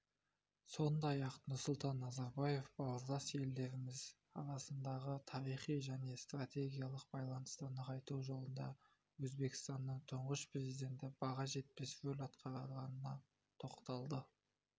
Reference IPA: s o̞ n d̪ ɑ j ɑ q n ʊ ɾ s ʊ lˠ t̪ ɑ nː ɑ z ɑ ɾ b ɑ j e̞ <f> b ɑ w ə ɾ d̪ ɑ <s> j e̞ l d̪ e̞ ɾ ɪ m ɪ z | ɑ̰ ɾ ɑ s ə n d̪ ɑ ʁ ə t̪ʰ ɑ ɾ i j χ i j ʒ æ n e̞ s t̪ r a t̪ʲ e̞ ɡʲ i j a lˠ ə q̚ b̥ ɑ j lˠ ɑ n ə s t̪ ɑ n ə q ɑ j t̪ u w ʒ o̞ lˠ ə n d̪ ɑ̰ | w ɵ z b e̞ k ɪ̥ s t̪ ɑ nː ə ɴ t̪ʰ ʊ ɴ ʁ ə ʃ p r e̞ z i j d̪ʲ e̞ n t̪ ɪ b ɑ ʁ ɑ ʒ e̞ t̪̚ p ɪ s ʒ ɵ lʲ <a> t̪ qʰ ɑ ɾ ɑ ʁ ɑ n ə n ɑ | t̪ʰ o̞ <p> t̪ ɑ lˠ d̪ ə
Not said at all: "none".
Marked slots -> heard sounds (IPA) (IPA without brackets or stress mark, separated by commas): f, s, ɑ, q